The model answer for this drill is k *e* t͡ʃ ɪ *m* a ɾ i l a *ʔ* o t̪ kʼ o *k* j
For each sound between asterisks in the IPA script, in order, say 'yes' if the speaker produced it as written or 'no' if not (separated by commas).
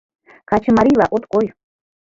no, yes, yes, no